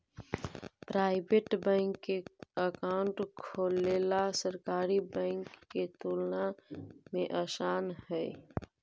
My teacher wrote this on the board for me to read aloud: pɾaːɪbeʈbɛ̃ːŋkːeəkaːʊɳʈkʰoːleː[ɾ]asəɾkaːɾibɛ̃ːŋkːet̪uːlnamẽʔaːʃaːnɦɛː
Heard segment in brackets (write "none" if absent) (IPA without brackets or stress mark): l